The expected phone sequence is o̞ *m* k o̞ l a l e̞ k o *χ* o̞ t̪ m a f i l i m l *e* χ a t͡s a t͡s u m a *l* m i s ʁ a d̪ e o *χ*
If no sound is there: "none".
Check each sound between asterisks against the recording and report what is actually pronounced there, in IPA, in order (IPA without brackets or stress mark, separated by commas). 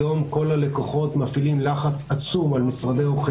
m, χ, a, l, χ